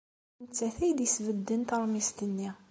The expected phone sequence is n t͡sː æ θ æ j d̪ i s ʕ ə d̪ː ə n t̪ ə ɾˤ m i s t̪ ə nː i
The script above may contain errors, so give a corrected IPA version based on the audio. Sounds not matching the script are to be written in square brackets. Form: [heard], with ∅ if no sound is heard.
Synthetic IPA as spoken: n t͡sː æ θ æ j d̪ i s [v] ə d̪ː ə n t̪ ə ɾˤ m i s t̪ ə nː i